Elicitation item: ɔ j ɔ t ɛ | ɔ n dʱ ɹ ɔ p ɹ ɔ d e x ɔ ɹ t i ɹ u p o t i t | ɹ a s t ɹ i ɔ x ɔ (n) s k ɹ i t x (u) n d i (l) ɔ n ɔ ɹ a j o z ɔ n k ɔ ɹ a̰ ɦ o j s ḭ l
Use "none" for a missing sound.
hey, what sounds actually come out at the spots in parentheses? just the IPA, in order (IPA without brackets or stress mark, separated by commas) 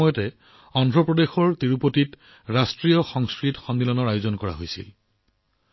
ŋ, ɔ, l